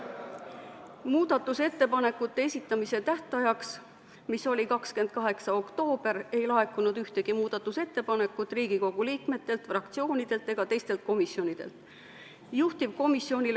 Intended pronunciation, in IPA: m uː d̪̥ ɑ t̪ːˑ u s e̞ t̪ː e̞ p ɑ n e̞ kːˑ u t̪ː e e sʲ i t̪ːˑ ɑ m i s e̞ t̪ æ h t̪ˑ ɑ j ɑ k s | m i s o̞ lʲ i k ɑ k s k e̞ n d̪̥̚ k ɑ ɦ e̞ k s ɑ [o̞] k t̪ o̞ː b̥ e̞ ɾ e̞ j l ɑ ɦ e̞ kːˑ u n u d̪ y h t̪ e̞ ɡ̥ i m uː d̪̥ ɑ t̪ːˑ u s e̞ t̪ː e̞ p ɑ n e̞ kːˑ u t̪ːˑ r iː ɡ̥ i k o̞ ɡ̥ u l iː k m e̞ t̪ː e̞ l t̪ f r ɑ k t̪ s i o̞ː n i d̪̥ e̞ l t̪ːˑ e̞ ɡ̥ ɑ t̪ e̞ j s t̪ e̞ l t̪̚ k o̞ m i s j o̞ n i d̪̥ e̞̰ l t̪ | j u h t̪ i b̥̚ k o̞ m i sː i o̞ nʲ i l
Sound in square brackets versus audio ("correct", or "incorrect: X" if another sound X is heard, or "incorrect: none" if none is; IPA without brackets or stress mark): correct